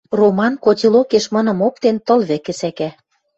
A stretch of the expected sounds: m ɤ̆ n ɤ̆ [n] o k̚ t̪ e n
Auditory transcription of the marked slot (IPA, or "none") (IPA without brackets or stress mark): m